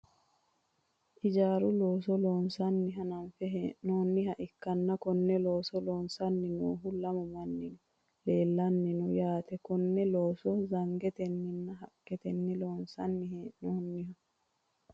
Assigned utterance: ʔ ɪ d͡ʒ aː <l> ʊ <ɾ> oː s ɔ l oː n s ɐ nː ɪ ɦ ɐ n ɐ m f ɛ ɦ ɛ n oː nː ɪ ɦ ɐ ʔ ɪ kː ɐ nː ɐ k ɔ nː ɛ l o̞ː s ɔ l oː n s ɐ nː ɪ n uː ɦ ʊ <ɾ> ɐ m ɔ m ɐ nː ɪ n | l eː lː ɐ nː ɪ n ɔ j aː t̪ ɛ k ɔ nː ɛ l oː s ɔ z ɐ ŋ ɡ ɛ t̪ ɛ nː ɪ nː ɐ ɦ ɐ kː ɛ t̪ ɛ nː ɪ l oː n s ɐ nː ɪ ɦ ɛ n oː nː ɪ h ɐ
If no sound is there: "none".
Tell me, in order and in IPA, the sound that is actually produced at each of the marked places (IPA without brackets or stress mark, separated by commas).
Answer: ɾ, l, l